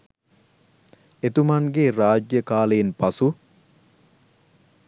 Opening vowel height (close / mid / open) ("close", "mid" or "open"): mid